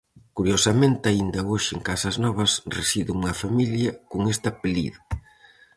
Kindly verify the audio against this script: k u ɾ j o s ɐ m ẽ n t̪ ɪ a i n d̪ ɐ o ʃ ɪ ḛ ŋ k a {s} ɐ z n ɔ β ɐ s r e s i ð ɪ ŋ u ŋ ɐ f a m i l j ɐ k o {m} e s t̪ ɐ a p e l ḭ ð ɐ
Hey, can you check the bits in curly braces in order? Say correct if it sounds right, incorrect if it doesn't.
correct, incorrect

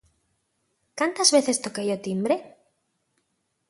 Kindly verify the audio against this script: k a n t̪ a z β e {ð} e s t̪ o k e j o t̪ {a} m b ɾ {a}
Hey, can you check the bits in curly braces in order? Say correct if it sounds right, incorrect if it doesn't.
incorrect, incorrect, incorrect

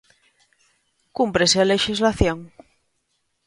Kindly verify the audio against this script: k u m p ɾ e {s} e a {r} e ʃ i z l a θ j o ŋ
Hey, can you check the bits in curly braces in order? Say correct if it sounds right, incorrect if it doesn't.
correct, incorrect

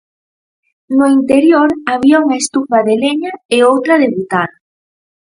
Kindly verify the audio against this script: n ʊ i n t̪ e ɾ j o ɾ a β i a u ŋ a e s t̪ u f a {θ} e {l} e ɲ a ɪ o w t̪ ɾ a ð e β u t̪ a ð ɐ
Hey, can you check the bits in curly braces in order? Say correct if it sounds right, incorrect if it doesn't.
incorrect, correct

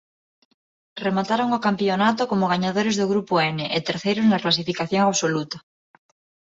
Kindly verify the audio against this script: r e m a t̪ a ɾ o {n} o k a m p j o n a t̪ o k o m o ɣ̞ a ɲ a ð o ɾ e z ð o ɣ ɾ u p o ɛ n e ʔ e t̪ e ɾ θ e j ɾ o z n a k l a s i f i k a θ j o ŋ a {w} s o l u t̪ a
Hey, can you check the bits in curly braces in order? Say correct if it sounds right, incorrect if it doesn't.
incorrect, incorrect

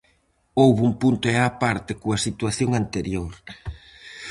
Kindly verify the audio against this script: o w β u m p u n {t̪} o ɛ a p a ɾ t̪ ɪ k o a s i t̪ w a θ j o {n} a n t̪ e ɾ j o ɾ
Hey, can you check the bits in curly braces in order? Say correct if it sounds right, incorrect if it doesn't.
correct, incorrect

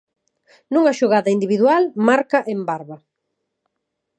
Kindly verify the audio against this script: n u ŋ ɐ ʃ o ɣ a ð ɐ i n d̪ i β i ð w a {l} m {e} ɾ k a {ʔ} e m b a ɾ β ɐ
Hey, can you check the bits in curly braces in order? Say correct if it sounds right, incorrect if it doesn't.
correct, incorrect, correct

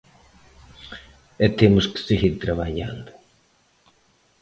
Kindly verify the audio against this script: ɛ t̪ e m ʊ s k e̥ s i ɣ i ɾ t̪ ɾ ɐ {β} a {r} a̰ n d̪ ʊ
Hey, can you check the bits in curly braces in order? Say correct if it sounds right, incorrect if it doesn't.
correct, incorrect

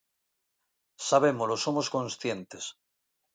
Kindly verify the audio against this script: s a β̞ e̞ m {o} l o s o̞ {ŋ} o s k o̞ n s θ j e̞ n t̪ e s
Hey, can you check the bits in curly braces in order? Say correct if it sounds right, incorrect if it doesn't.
correct, incorrect

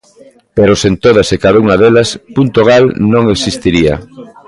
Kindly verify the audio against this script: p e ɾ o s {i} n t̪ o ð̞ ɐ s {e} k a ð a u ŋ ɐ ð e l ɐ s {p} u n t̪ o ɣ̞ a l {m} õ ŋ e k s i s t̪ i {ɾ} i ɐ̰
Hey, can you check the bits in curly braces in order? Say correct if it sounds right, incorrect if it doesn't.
incorrect, correct, correct, incorrect, correct

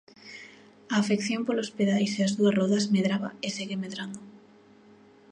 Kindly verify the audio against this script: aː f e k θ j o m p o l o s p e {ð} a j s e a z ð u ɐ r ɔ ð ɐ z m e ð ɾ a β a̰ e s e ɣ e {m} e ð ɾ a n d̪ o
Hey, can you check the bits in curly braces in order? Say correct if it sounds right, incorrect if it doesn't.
correct, correct

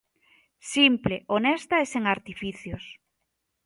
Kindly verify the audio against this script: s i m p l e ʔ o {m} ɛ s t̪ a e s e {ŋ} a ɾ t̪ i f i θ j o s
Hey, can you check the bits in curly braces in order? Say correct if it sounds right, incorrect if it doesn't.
incorrect, correct

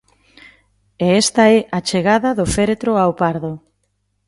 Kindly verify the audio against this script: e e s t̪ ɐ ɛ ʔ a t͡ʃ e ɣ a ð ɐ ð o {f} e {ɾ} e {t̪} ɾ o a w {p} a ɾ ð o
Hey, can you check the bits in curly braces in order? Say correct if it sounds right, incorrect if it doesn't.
correct, correct, correct, correct

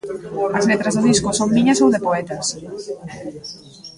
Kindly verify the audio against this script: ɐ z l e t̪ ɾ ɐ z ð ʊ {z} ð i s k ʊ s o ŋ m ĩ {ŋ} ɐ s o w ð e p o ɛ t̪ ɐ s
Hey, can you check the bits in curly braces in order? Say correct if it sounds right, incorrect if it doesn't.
incorrect, incorrect

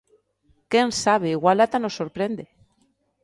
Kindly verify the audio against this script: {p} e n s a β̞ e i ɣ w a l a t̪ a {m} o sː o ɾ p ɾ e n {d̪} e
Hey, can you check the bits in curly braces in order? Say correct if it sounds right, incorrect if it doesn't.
incorrect, incorrect, correct

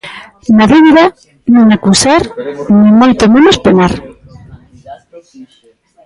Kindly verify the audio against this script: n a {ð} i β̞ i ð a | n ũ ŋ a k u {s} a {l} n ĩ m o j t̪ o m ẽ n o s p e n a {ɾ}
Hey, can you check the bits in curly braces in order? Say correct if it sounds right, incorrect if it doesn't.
correct, correct, incorrect, correct

